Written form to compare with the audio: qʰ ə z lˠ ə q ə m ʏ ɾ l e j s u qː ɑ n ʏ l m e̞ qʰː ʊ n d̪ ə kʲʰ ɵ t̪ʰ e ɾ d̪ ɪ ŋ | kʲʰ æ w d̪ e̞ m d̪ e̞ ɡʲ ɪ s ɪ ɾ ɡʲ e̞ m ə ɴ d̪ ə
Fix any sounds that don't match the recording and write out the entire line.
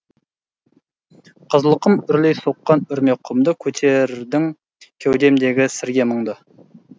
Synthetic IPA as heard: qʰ ə z lˠ ə q ə m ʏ ɾ l e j s o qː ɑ n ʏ ɾ m e̞ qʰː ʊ m d̪ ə kʲʰ ɵ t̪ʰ e ɾ d̪ ɪ ŋ | kʲʰ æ w d̪ e̞ m d̪ e̞ ɡʲ ɪ s ɪ ɾ ɡʲ e̞ m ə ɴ d̪ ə